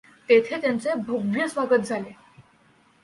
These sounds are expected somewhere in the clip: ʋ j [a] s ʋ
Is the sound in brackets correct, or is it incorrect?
incorrect